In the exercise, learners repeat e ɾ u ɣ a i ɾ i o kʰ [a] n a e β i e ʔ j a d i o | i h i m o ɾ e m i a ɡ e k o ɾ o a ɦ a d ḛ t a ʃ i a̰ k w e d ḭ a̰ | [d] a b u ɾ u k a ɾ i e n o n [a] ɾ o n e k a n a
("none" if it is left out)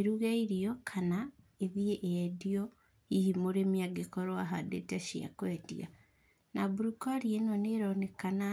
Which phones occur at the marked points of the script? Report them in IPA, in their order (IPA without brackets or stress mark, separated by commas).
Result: a, n, e